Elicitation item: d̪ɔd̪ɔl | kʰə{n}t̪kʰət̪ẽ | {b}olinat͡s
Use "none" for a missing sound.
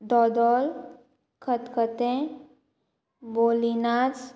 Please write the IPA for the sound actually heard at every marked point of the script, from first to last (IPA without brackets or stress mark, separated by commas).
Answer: none, b